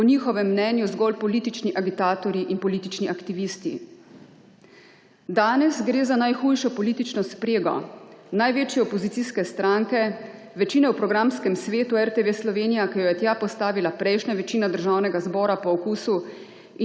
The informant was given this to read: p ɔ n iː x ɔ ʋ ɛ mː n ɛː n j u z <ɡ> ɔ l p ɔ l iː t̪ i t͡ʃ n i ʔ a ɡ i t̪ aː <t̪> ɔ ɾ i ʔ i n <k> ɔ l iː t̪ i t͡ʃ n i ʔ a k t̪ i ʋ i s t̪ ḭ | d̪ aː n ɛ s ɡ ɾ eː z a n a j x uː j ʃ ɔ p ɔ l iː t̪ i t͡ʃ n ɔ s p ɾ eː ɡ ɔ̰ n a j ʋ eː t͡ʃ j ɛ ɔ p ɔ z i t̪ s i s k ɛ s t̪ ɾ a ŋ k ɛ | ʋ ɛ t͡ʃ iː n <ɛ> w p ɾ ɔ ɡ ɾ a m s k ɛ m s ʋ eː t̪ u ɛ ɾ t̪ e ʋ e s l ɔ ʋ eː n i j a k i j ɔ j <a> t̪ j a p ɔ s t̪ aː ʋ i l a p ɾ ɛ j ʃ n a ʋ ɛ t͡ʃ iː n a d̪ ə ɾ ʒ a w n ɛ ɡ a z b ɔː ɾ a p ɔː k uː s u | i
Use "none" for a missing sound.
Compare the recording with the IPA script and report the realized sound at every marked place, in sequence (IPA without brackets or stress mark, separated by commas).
ɡ, t̪, p, ɛ, ɛ